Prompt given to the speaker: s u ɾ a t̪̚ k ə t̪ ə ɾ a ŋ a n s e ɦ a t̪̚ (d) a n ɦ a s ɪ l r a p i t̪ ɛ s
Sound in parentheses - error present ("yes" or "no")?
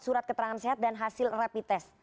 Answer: no